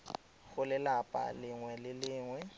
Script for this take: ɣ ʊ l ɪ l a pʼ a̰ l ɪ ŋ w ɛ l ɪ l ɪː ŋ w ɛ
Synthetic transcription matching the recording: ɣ ʊ l ɪ l a pʼ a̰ l ɪ ŋ w ɛ l ɪ l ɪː ŋ w ɛ